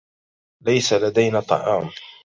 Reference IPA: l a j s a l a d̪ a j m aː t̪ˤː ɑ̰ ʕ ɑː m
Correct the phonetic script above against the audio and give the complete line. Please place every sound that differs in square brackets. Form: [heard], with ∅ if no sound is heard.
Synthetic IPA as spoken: l a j s a l a d̪ a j [n] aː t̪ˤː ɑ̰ ʕ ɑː m